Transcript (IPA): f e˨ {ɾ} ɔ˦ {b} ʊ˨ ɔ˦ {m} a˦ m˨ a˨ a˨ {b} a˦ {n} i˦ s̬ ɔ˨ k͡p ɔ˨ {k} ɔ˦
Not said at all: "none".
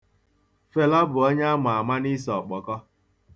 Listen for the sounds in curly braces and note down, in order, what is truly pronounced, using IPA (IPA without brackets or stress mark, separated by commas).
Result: l, b, ɲ, m, n, k